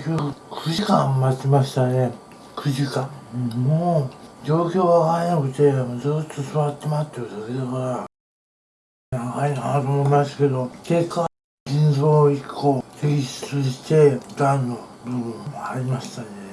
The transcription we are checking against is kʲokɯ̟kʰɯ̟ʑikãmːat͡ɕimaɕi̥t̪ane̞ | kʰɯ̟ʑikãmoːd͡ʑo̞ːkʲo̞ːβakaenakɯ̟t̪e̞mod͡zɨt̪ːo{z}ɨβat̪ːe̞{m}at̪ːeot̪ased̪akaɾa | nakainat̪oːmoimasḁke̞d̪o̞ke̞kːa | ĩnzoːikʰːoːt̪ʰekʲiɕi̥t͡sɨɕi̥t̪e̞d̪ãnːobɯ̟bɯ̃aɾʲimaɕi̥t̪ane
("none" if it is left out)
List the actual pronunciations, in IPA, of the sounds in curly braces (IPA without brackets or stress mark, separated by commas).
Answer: s, m